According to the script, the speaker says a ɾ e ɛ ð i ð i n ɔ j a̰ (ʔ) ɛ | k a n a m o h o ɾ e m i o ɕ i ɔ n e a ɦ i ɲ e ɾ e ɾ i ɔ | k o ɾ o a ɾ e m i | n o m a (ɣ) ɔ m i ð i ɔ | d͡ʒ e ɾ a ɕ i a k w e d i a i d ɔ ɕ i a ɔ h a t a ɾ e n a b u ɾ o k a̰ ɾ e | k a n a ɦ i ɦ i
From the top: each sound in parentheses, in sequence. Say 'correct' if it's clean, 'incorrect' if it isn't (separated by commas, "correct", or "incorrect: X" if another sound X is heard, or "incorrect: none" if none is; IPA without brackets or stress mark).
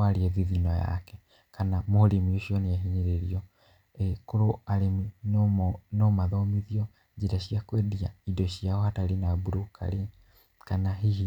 incorrect: k, incorrect: ð